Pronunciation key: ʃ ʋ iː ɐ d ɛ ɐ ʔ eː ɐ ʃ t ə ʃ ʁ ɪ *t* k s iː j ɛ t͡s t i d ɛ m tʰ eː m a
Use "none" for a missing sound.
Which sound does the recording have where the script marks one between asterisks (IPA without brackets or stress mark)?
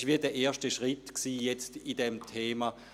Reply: t